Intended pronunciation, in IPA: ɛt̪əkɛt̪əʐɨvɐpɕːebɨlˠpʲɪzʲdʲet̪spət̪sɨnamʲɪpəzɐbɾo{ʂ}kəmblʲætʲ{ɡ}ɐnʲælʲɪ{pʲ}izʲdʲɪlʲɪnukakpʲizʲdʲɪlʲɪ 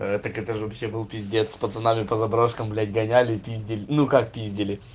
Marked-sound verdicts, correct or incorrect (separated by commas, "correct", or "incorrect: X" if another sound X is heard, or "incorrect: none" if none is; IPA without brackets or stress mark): correct, correct, correct